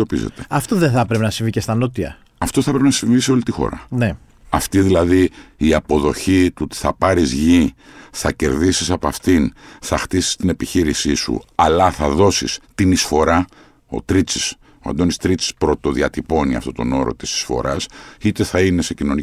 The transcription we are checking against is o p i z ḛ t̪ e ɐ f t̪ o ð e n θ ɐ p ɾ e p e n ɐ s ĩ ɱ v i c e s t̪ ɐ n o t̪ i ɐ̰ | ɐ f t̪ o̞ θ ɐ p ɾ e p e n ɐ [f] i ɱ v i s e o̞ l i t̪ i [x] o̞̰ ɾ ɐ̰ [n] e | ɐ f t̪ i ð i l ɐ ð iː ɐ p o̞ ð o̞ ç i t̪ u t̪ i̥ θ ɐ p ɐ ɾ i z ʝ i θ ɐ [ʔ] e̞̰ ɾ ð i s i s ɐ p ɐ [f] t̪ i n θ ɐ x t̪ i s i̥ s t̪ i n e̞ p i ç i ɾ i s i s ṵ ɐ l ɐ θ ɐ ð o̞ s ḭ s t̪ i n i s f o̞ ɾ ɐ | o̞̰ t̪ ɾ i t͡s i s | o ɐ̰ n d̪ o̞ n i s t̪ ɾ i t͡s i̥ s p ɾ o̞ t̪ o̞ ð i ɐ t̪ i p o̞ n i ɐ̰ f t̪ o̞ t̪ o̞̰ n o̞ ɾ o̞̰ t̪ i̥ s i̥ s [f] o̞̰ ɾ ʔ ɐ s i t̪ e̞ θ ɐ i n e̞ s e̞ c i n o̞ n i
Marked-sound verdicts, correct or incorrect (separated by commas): incorrect, correct, correct, incorrect, correct, correct